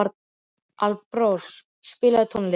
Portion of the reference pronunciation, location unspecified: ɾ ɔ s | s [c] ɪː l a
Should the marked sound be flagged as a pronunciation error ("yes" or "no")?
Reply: yes